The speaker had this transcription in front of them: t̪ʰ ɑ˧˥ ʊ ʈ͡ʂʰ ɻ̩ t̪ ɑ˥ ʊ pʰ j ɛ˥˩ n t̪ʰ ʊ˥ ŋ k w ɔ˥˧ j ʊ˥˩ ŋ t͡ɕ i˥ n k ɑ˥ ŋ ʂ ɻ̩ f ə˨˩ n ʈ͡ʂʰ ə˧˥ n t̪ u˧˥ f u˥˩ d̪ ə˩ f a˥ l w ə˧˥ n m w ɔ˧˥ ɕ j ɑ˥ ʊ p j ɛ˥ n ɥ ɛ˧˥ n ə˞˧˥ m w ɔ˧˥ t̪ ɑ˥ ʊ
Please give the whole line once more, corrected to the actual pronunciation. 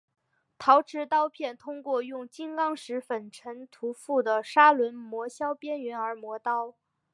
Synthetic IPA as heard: t̪ʰ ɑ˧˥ ʊ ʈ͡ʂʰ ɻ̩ t̪ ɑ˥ ʊ pʰ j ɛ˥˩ n t̪ʰ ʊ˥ ŋ k w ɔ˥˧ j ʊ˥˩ ŋ t͡ɕ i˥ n k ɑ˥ ŋ ʂ ɻ̩ f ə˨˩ n ʈ͡ʂʰ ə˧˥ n t̪ʰ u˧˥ f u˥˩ d̪ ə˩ ʂ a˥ l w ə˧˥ n m w ɔ˧˥ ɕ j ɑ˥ ʊ p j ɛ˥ n ɥ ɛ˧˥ n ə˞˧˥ m w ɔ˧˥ t̪ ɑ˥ ʊ

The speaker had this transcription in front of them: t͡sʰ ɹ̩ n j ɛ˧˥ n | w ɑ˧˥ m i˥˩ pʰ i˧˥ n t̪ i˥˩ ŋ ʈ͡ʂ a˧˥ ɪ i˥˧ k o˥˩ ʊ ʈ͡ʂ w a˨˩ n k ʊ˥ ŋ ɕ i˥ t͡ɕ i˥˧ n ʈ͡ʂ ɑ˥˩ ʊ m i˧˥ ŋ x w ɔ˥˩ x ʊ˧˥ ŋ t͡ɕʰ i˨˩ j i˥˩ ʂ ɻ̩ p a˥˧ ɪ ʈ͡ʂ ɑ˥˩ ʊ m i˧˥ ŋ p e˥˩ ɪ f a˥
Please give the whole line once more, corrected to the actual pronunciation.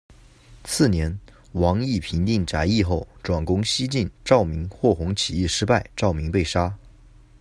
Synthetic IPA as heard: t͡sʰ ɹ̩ n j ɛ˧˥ n | w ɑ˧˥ ŋ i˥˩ pʰ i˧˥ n t̪ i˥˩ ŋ ʈ͡ʂ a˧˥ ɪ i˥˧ x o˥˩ ʊ ʈ͡ʂ w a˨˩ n k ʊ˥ ŋ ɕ i˥ t͡ɕ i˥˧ n ʈ͡ʂ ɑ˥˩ ʊ m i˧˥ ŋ x w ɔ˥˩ x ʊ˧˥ ŋ t͡ɕʰ i˨˩ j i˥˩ ʂ ɻ̩ p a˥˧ ɪ ʈ͡ʂ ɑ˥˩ ʊ m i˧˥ ŋ p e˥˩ ɪ ʂ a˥

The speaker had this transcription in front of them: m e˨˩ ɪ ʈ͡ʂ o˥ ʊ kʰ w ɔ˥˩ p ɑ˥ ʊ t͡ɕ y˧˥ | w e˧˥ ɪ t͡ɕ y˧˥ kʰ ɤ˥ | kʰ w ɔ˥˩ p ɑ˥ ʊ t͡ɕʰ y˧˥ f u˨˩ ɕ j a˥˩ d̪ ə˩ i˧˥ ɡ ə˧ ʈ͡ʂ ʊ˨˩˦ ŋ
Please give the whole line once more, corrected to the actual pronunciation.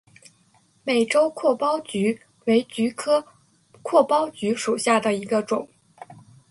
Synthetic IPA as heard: m e˨˩ ɪ ʈ͡ʂ o˥ ʊ kʰ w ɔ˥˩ p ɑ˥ ʊ t͡ɕ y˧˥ | w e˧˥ ɪ t͡ɕ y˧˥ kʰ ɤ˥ | kʰ w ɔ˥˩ p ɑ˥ ʊ t͡ɕ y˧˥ ʂ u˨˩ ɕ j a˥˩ d̪ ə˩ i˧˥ ɡ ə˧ ʈ͡ʂ ʊ˨˩˦ ŋ

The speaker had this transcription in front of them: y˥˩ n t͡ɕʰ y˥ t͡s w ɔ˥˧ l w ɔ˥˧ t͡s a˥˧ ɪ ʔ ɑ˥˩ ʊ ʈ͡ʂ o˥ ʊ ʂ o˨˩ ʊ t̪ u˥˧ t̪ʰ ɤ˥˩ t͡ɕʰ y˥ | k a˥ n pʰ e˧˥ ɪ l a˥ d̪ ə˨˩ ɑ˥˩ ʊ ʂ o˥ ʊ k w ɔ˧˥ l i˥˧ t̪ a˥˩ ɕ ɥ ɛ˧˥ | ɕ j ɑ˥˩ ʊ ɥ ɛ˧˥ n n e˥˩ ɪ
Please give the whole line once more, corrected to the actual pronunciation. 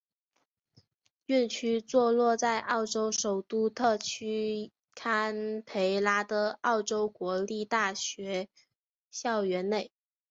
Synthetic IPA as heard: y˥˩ n t͡ɕʰ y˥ t͡s w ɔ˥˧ l w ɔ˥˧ t͡s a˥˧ ɪ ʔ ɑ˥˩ ʊ ʈ͡ʂ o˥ ʊ ʂ o˨˩ ʊ t̪ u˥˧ t̪ʰ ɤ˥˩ t͡ɕʰ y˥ | kʰ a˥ n pʰ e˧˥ ɪ l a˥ d̪ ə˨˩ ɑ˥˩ ʊ ʈ͡ʂ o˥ ʊ k w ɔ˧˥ l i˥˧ t̪ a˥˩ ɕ ɥ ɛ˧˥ | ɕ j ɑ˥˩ ʊ ɥ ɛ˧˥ n n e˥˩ ɪ

